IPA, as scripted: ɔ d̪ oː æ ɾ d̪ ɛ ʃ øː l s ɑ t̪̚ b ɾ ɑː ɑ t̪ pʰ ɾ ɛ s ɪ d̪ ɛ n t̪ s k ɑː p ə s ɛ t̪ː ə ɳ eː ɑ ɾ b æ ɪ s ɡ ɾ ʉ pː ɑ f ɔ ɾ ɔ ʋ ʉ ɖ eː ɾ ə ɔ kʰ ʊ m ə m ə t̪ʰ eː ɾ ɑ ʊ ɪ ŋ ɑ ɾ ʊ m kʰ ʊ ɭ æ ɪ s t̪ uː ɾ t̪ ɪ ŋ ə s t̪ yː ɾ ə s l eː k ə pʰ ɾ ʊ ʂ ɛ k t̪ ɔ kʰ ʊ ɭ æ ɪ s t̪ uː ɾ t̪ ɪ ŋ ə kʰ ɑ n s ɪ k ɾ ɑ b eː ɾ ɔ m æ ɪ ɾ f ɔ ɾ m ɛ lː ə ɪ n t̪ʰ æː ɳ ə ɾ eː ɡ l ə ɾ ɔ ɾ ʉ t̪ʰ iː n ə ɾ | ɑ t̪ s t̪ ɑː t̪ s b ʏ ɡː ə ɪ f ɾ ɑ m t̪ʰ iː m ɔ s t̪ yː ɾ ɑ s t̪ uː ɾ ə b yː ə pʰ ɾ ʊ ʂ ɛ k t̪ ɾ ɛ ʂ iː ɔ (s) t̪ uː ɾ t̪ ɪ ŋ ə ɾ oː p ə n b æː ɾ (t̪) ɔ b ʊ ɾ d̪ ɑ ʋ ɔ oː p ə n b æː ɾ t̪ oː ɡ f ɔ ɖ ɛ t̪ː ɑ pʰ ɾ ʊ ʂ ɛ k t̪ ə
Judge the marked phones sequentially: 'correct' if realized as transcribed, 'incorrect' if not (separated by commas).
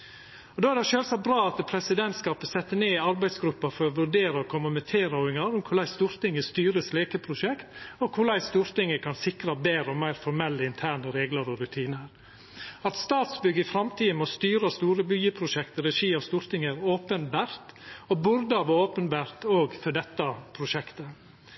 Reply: correct, correct